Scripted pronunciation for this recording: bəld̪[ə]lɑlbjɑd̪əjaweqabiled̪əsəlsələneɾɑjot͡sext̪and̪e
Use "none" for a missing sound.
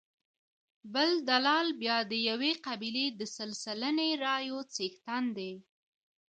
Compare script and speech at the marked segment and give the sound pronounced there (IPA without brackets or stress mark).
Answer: a